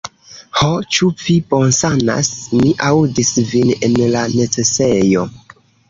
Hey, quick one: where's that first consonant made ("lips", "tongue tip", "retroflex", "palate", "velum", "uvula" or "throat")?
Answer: throat